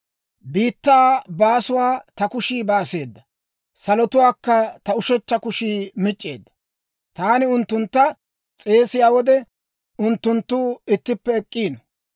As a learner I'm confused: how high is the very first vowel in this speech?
high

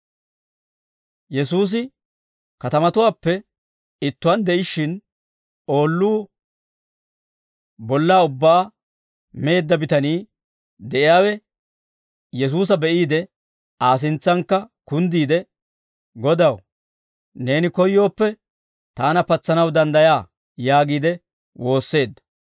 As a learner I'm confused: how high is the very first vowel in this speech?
mid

